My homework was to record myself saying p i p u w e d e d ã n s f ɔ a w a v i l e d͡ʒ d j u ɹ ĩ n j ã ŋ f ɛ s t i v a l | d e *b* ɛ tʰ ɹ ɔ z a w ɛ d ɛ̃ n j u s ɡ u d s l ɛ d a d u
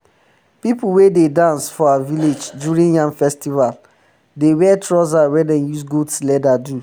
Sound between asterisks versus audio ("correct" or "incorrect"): incorrect